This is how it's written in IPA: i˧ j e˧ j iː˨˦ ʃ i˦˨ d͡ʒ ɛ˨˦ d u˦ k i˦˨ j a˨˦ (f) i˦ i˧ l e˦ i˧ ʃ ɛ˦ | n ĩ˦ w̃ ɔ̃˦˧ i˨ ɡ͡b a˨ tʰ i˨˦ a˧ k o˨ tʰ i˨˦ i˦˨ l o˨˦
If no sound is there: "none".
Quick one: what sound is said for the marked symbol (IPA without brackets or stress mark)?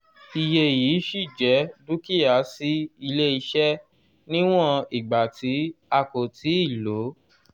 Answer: s